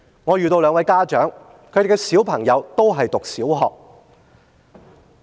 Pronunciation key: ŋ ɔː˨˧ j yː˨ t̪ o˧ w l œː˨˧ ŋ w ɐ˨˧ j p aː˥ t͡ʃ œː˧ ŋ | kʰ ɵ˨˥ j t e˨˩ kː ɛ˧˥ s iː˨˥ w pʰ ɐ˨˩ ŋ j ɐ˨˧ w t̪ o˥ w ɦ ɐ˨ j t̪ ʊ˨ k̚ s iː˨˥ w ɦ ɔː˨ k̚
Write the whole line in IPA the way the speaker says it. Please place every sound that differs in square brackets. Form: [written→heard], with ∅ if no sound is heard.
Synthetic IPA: ŋ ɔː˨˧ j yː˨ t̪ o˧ w l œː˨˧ ŋ w ɐ˨˧ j [p→k] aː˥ t͡ʃ [œː˧→œː˨˥] ŋ | kʰ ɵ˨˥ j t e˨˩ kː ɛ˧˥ s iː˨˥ w pʰ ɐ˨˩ ŋ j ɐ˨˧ w t̪ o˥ w ɦ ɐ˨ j t̪ ʊ˨ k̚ s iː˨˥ w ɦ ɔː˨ k̚